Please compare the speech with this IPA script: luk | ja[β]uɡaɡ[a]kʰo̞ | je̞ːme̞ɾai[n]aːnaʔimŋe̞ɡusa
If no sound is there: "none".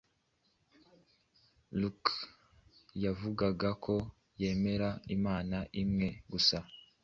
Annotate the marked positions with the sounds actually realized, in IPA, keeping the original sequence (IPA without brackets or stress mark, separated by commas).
v, a, m